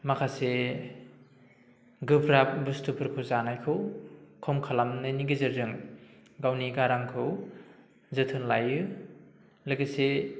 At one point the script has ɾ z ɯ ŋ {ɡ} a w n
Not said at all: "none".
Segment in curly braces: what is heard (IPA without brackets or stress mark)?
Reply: ɡ